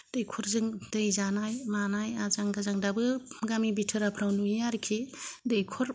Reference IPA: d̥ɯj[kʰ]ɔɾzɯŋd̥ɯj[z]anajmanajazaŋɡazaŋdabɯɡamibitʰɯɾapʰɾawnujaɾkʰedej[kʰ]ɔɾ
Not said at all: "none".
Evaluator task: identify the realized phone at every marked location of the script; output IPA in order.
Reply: kʰ, z, kʰ

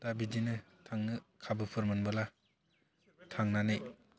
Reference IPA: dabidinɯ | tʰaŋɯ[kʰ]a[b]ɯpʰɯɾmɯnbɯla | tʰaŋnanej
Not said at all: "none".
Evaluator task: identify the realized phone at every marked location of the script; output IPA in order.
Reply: kʰ, b

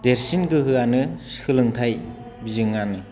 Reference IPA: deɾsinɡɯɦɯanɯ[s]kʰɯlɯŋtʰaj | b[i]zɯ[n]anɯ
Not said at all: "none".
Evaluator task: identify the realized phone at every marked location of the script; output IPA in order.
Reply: s, i, ŋ

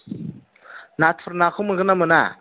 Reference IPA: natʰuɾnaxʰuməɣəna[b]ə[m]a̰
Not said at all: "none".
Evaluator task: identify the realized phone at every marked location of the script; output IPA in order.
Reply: m, n

